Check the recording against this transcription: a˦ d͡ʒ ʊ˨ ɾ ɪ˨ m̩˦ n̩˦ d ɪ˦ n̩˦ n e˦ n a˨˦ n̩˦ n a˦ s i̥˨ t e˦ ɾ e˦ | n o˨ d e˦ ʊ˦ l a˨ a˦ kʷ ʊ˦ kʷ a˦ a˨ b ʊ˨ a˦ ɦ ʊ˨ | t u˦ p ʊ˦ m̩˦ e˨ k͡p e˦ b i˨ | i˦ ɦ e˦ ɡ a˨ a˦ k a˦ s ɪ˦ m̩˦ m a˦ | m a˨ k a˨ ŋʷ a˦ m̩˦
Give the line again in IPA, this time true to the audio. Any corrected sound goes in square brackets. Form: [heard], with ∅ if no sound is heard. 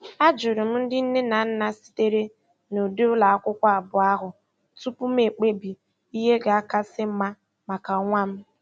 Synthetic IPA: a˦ d͡ʒ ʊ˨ ɾ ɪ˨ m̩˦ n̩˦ d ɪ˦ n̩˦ n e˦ n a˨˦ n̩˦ n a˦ s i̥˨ t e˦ ɾ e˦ | n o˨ d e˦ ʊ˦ l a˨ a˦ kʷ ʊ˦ kʷ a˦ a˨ b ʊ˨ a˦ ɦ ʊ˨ | t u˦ p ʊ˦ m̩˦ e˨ k͡p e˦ b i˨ | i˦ ɦ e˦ ɡ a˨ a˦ k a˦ s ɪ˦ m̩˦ m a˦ | m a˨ k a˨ ŋʷ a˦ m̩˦

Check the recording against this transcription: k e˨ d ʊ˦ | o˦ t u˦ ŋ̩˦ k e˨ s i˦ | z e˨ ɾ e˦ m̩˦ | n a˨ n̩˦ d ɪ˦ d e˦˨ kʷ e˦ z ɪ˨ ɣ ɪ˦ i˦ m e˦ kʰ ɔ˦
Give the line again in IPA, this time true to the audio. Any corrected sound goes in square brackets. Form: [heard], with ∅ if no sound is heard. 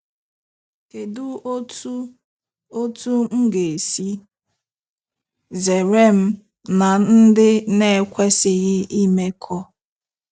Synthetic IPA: k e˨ d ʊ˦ | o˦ t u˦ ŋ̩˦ [ɡ] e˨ s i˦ | z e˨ ɾ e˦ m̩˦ | n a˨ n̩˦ d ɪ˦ [n] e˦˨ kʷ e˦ [s] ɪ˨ ɣ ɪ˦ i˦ m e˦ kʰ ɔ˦

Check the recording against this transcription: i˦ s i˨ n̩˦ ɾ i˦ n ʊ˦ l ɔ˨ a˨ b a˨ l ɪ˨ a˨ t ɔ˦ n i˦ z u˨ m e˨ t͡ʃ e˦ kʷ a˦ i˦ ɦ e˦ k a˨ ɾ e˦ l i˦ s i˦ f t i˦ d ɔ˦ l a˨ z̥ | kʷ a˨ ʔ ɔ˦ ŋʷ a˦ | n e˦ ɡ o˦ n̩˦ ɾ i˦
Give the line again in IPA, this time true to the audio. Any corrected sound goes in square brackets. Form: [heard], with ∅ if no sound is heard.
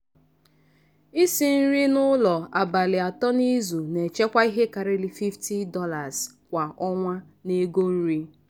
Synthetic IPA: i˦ s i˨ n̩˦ ɾ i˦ n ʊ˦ l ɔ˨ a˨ b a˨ l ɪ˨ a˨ t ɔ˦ n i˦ z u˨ [n] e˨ t͡ʃ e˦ kʷ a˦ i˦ ɦ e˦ k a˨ ɾ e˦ l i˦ [f] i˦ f t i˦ d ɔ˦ l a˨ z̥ | kʷ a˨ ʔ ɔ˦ ŋʷ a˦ | n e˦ ɡ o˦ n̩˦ ɾ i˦

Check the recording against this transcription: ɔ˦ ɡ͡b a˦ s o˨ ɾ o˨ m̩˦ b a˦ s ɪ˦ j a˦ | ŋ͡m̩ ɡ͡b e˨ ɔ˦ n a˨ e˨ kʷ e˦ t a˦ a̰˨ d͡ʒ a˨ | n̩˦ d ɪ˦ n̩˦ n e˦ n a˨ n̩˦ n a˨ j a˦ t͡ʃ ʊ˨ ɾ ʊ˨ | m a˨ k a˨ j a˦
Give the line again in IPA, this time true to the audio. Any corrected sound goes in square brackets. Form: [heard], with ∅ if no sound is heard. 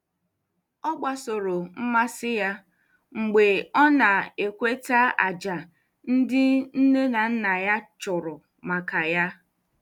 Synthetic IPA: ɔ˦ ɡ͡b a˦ s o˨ ɾ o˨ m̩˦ [m] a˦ s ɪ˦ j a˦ | ŋ͡m̩ ɡ͡b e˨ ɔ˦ n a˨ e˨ kʷ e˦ t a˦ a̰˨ d͡ʒ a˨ | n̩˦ d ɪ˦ n̩˦ n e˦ n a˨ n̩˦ n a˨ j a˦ t͡ʃ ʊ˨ ɾ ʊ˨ | m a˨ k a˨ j a˦

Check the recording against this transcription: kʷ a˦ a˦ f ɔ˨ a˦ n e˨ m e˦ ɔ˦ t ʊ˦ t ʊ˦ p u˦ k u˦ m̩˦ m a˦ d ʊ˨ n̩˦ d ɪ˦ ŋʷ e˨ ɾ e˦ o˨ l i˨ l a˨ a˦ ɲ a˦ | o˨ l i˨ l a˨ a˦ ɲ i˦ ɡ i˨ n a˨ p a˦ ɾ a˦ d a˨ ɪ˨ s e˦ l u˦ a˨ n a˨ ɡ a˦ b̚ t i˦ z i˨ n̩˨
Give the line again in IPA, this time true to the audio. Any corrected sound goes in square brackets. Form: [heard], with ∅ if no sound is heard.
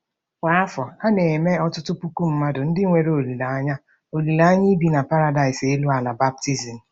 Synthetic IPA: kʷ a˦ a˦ f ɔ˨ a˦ n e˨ m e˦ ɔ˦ t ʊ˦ t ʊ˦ p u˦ k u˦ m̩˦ m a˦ d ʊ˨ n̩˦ d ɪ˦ ŋʷ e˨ ɾ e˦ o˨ l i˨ l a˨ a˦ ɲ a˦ | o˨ l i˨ l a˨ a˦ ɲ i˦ [b] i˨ n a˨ p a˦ ɾ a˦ d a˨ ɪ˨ s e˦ l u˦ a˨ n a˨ [b] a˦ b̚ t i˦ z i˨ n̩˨

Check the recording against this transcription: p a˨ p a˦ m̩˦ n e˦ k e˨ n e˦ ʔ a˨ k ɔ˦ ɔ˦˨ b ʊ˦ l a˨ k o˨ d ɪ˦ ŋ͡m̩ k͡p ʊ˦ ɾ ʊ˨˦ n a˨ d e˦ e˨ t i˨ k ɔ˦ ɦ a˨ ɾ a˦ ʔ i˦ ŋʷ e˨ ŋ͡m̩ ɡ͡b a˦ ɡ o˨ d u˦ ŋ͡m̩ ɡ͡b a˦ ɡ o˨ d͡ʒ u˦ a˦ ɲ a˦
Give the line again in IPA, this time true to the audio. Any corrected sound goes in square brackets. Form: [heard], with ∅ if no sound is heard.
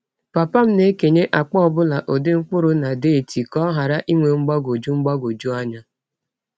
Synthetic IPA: p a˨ p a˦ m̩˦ n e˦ k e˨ [ɲ] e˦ ʔ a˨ [k͡p] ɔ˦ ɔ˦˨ b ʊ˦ l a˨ [ʔ] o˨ d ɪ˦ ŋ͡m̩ k͡p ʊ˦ ɾ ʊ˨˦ n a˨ d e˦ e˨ t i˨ k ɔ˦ ɦ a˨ ɾ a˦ ʔ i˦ ŋʷ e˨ ŋ͡m̩ ɡ͡b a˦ ɡ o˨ [d͡ʒ] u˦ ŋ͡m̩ ɡ͡b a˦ ɡ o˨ d͡ʒ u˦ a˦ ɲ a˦

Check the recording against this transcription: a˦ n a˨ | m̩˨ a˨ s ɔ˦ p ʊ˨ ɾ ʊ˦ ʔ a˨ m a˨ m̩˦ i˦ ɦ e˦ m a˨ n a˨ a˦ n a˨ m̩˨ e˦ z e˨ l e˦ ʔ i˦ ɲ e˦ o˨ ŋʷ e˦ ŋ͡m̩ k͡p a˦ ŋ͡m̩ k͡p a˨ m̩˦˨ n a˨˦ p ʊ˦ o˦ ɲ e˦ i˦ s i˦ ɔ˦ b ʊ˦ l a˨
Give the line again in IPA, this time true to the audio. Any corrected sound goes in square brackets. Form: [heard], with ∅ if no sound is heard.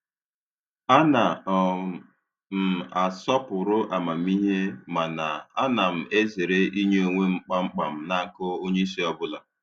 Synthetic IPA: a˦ n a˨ | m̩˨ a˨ s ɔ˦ p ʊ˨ ɾ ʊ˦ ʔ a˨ m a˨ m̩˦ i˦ ɦ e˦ m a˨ n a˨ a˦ n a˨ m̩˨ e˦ z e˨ [ɾ] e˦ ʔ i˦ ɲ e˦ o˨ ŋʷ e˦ ŋ͡m̩ k͡p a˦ ŋ͡m̩ k͡p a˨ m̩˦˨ n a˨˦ [k] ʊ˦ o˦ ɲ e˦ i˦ s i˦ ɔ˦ b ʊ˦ l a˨

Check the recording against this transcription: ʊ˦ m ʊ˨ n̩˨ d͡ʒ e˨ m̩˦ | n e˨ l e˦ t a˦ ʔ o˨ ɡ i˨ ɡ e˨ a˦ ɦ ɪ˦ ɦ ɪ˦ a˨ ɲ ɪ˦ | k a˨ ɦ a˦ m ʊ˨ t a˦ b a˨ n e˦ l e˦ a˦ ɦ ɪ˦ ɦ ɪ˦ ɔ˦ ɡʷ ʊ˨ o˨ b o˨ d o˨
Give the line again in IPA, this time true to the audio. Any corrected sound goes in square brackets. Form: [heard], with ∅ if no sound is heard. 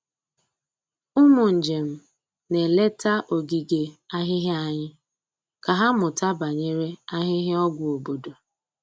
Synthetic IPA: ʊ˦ m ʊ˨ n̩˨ d͡ʒ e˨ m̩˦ | n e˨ l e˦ t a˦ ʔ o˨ ɡ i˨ ɡ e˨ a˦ ɦ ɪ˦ ɦ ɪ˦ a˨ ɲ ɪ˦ | k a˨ ɦ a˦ m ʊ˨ t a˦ b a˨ [ɲ] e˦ [ɾ] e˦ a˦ ɦ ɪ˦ ɦ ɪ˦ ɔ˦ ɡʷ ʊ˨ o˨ b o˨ d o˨

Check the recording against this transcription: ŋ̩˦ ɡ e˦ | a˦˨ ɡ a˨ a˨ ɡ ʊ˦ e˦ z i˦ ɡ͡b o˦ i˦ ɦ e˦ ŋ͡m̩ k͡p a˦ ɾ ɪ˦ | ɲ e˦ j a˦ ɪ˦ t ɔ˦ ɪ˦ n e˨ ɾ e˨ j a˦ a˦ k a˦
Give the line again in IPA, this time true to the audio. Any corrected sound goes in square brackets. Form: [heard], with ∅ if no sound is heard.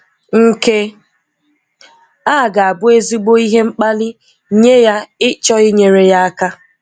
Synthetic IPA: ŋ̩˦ [k] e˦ | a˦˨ ɡ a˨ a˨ [b] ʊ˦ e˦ z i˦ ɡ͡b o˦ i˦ ɦ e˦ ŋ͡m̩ k͡p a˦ [l] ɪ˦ | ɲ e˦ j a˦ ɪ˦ [t͡ʃ] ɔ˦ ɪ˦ [ɲ] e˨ ɾ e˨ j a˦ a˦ k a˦

